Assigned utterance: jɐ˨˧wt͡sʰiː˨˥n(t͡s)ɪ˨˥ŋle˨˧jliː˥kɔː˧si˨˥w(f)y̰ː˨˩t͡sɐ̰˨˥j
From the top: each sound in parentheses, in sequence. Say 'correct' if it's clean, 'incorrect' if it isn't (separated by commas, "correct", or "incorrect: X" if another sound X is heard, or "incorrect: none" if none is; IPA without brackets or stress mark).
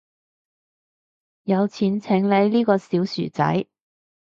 incorrect: t͡sʰ, incorrect: s